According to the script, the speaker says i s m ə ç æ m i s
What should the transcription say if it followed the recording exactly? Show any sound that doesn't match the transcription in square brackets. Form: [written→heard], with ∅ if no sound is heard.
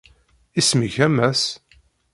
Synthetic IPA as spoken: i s m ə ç æ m [i→æ] s